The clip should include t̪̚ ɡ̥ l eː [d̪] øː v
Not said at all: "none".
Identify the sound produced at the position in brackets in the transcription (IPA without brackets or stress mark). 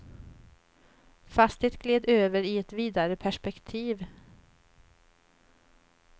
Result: d̪